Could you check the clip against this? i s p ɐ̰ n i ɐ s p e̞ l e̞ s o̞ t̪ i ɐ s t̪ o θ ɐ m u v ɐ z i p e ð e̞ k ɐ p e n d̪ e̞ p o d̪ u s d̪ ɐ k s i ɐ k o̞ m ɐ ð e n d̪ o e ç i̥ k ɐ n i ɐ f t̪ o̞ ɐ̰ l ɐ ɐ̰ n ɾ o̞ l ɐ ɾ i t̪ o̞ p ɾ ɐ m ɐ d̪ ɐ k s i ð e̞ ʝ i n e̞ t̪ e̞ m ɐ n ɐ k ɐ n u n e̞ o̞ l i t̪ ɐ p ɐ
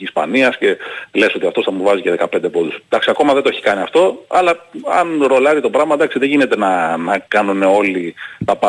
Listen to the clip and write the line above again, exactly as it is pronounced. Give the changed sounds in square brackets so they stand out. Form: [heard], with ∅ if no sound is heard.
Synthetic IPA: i s p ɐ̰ n i ɐ s [c] e̞ l e̞ s o̞ t̪ i ɐ [f] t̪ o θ ɐ m u v ɐ z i [c] e ð e̞ k ɐ p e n d̪ e̞ p o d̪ u s d̪ ɐ k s i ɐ k o̞ m ɐ ð e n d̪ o e ç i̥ k ɐ n i ɐ f t̪ o̞ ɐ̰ l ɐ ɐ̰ n ɾ o̞ l ɐ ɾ i t̪ o̞ p ɾ ɐ m ɐ d̪ ɐ k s i ð e̞ ʝ i n e̞ t̪ e̞ [n] ɐ n ɐ k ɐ n u n e̞ o̞ l i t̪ ɐ p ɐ